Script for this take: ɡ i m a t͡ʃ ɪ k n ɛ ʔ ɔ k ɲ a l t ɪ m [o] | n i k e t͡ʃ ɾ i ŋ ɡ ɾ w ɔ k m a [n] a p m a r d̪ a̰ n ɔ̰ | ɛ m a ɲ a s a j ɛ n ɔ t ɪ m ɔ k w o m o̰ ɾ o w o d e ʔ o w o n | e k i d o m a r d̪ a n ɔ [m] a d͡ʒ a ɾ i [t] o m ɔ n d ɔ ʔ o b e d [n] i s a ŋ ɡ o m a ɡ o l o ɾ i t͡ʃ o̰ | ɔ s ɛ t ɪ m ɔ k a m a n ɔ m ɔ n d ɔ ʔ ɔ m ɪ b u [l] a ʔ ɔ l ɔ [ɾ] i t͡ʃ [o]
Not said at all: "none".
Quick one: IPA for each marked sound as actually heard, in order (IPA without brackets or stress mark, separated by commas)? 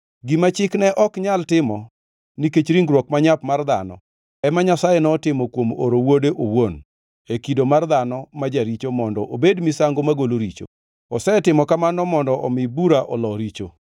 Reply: ɔ, ɲ, m, t͡ʃ, m, ɾ, ɾ, o